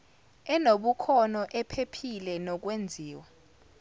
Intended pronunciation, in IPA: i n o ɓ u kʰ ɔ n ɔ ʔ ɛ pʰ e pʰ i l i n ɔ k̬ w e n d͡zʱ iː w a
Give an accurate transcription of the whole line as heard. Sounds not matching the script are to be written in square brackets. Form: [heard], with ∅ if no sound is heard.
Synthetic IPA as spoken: [ɛ] n o ɓ u kʰ ɔ n ɔ ʔ ɛ pʰ e pʰ i l [ɛ] n ɔ k̬ w e n d͡zʱ iː w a